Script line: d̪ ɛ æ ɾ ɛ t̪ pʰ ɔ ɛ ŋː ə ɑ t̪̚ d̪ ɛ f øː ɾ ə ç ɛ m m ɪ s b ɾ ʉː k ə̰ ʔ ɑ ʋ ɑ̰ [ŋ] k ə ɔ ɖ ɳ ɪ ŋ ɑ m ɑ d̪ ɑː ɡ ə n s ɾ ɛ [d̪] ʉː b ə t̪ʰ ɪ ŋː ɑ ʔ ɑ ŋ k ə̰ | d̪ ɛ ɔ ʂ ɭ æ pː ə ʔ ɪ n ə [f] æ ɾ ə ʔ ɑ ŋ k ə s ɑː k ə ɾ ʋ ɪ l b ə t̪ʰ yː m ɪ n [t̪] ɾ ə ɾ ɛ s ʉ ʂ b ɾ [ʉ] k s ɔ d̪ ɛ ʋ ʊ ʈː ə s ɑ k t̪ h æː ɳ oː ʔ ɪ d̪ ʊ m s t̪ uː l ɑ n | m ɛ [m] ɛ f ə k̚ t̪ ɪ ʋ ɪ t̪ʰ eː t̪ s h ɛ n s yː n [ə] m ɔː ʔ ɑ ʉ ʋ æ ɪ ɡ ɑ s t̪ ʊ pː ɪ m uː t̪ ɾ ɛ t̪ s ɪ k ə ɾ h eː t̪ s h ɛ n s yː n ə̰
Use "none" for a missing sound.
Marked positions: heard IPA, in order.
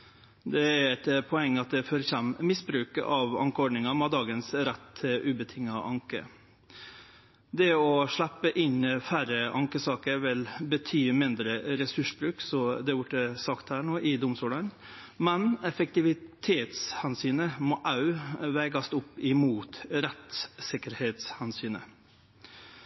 ŋ, t̪, f, d̪, ʉː, n, ə

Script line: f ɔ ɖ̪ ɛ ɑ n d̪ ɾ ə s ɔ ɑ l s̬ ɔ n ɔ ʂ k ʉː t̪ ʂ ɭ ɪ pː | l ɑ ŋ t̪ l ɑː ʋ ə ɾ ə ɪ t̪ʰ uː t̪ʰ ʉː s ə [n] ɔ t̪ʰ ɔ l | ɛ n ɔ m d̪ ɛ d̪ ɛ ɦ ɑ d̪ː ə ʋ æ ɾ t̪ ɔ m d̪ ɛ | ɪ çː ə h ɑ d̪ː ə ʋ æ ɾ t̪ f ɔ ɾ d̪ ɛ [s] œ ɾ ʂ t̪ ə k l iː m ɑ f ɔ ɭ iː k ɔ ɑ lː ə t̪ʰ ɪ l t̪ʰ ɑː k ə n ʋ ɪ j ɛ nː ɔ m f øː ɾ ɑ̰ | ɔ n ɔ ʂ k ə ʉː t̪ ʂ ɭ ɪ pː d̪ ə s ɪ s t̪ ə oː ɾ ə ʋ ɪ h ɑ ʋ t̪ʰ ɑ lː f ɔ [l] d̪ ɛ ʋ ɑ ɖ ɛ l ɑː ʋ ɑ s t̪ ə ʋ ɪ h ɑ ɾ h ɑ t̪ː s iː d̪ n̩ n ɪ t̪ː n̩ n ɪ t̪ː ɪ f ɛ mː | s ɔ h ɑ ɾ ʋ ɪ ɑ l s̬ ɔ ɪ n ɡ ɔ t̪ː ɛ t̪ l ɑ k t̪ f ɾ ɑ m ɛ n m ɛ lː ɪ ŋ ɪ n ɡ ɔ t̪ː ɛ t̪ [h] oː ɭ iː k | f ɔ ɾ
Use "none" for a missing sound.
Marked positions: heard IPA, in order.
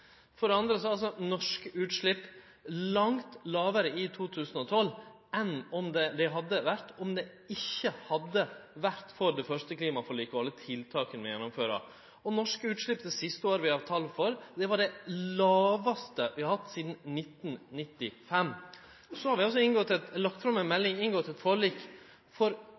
n, f, ɾ, f

